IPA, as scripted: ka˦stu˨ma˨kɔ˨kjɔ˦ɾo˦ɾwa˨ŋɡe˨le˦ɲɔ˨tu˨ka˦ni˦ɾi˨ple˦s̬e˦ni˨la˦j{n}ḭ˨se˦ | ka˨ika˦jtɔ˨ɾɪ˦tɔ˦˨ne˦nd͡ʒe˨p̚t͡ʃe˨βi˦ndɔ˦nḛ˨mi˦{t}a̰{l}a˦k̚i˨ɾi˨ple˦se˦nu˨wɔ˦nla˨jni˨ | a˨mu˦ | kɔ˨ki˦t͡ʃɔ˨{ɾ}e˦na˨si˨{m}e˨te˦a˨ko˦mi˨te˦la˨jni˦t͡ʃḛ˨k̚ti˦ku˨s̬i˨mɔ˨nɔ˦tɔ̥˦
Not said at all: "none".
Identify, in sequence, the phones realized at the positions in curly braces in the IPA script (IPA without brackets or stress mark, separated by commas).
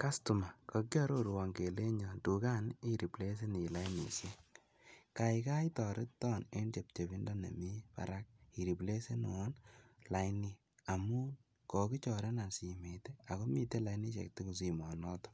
n, p, ɾ, ɾ, m